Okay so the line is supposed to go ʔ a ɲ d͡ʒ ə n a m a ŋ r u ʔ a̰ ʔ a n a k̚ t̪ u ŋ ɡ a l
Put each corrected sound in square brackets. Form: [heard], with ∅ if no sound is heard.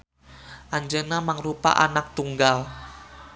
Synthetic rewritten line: ʔ a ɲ d͡ʒ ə n a m a ŋ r u [p] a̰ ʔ a n a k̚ t̪ u ŋ ɡ a l